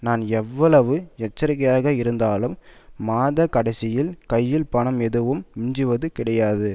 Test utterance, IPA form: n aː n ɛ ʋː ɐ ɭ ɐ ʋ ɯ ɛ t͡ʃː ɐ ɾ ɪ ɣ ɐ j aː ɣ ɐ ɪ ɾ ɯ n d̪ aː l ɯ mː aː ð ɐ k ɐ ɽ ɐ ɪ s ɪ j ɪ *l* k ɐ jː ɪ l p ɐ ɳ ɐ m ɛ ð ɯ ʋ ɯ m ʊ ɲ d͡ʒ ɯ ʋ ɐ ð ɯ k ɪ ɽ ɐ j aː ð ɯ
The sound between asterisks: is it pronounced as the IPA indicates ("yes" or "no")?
yes